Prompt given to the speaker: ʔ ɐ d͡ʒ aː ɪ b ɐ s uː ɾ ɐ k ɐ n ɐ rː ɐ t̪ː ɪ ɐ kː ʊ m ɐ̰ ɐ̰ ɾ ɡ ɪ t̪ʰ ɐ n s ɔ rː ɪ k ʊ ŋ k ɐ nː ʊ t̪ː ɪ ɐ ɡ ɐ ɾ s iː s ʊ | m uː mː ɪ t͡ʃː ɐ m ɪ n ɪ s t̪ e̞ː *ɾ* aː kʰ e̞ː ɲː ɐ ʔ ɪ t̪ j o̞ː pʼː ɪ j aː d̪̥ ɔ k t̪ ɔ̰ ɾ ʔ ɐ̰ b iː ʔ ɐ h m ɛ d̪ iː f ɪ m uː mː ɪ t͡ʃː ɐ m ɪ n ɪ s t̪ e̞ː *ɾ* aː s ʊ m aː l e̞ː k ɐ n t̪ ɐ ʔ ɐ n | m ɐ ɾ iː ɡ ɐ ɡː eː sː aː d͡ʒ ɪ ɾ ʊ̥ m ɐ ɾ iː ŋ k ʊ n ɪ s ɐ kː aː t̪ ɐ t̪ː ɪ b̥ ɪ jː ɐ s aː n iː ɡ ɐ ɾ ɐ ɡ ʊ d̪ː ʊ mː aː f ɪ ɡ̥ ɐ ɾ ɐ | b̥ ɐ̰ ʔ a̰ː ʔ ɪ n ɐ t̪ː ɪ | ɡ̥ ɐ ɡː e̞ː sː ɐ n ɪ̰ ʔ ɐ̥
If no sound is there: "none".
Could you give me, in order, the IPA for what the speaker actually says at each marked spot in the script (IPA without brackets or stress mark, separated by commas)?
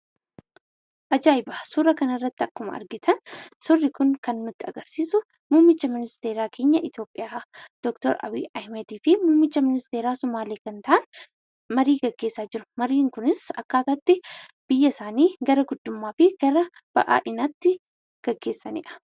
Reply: ɾ, ɾ